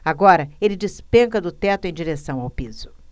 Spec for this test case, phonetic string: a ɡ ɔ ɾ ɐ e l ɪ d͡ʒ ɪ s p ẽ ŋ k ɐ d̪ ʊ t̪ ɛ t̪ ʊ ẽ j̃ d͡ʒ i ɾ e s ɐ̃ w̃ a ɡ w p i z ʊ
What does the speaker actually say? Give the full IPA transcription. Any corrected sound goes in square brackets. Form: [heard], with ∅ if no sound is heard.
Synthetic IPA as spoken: a ɡ ɔ ɾ ɐ e l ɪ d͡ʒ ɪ s p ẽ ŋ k ɐ d̪ ʊ t̪ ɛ t̪ ʊ ẽ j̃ d͡ʒ i ɾ e s ɐ̃ w̃ a [∅] w p i z ʊ